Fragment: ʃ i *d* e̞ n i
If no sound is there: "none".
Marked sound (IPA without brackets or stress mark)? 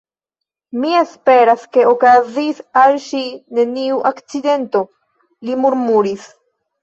n